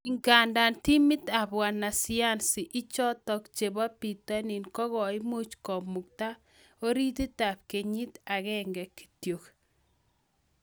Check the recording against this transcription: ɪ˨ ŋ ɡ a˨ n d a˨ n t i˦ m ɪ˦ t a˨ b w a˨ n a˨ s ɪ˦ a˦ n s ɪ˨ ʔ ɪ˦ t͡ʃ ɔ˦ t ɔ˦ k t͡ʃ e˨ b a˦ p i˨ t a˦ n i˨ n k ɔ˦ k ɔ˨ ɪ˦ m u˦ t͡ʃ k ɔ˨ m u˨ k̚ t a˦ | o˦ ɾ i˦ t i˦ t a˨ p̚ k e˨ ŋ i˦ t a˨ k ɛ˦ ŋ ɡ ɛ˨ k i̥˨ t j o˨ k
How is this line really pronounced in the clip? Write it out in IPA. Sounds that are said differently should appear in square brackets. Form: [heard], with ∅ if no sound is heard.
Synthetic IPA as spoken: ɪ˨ ŋ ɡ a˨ n d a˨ n t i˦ m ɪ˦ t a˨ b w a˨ n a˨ s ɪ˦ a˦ n s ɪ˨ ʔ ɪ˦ t͡ʃ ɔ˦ t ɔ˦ k t͡ʃ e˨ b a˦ p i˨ t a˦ n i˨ n k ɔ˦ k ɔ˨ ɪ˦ m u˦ t͡ʃ k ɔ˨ m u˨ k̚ t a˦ | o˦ ɾ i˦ t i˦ t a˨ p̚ k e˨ [ɲ] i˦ t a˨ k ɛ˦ ŋ ɡ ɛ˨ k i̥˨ t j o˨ k